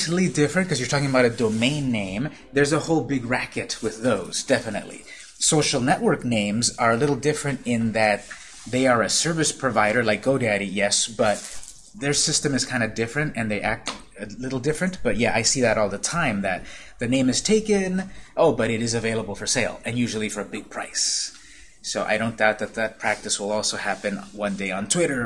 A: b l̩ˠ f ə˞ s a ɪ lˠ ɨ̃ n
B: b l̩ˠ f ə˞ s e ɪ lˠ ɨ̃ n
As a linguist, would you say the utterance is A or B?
B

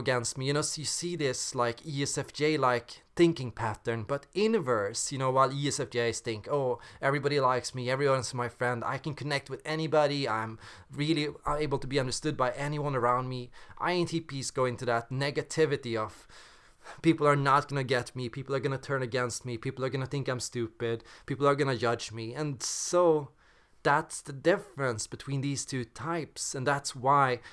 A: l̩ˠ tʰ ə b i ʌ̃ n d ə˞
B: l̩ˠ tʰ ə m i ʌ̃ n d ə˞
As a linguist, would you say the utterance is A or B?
A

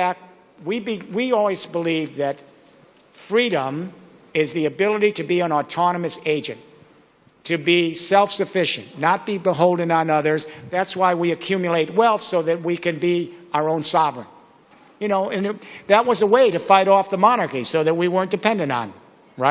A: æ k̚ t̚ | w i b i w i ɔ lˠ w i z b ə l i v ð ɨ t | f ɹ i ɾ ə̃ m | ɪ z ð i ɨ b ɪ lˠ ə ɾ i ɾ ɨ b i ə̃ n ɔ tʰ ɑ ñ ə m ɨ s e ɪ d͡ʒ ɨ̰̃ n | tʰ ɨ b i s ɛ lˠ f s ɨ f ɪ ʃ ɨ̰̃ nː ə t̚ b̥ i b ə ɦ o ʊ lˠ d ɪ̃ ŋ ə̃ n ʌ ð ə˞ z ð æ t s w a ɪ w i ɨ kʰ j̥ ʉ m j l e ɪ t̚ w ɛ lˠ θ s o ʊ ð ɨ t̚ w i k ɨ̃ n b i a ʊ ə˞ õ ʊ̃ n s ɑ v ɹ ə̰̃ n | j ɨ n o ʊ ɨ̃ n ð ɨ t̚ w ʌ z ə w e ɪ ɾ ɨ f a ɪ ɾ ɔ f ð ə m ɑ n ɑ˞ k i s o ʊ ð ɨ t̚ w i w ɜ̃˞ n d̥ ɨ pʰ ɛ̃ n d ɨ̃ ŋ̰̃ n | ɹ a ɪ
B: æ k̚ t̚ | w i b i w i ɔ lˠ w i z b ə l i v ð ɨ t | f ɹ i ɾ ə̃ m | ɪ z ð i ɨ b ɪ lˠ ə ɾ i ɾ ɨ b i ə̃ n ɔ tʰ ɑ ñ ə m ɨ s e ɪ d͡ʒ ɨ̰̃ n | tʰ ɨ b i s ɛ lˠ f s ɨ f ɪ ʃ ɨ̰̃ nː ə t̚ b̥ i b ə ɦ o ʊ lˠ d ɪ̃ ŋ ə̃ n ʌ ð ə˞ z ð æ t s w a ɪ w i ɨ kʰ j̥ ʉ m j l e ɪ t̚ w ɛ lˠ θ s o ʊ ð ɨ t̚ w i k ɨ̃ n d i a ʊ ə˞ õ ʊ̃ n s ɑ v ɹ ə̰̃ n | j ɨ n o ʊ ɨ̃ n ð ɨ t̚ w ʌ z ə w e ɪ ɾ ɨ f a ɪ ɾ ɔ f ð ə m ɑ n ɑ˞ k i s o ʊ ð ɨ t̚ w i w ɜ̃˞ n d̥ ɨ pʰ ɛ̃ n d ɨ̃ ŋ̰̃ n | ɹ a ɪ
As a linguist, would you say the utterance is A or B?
A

